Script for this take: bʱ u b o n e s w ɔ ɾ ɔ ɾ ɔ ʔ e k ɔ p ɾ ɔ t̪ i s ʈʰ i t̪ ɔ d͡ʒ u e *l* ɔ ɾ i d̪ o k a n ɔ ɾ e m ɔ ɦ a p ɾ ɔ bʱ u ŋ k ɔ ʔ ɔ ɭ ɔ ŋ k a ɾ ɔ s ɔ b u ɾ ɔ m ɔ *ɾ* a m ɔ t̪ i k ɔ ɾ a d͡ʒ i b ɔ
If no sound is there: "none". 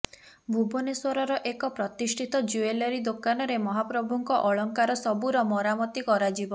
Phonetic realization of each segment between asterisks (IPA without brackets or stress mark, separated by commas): l, ɾ